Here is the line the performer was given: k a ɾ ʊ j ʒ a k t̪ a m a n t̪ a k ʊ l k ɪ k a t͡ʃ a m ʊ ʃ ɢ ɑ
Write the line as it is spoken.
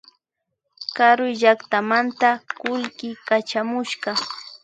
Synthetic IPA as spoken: k a ɾ ʊ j ʒ a k t̪ a m a n t̪ a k ʊ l k ɪ k a t͡ʃ a m ʊ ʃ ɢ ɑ